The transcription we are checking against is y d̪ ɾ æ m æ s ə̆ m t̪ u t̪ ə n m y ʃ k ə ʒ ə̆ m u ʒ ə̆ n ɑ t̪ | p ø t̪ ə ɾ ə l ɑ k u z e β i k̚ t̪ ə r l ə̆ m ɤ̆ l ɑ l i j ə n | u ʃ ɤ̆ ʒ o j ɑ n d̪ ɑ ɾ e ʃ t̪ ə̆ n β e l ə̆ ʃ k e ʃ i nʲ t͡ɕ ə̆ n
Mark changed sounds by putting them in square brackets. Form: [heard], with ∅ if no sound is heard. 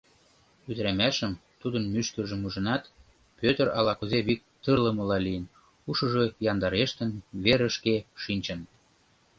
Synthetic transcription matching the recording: y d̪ ɾ æ m æ [ʃ] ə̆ m t̪ u [d̪] ə n m y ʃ k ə ʒ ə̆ m u ʒ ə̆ n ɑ t̪ | p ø t̪ ə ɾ [ɑ] l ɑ k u z e β i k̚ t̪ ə r l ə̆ m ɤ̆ l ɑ l i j ə n | u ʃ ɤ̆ ʒ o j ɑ n d̪ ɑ ɾ e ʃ t̪ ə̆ n β e [ɾ] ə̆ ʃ k e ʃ i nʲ t͡ɕ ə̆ n